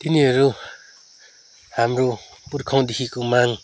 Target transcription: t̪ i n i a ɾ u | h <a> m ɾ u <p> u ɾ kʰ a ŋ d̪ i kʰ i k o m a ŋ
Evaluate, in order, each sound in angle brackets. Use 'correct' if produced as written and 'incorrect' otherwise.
correct, correct

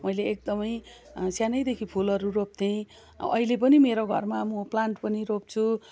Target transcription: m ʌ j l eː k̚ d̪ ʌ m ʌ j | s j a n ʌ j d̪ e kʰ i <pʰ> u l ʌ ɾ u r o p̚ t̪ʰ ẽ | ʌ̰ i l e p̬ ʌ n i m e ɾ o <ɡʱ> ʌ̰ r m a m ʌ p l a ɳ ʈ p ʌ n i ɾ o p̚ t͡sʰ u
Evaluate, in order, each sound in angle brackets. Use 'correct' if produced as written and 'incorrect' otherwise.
correct, correct

